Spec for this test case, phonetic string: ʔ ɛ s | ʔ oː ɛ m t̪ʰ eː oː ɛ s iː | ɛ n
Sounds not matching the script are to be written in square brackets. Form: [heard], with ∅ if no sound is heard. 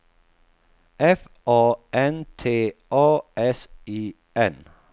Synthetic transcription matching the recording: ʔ ɛ [f] | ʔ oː ɛ [n] t̪ʰ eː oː ɛ s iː | ɛ n